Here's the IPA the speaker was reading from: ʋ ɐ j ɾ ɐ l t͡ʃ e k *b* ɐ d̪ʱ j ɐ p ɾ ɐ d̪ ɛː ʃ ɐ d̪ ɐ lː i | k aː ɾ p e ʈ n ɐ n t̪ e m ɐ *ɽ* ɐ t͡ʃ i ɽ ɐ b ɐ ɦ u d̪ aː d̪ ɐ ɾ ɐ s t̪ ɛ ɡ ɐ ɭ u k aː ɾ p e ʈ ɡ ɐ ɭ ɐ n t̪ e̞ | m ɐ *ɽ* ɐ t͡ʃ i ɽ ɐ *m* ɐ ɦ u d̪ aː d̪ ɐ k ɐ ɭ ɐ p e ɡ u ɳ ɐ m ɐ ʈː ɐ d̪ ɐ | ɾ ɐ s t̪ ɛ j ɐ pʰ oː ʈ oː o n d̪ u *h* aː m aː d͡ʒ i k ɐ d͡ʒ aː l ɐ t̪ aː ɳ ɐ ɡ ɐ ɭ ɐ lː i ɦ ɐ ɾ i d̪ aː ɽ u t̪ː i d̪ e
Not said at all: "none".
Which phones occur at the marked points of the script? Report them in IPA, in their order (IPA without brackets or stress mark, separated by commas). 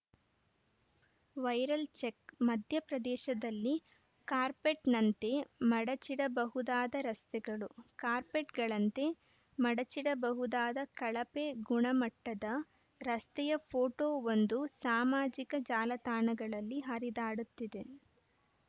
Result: m, ɽ, ɽ, b, s